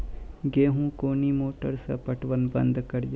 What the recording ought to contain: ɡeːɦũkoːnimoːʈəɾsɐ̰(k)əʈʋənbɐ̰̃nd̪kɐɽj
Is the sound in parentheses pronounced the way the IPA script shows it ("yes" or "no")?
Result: no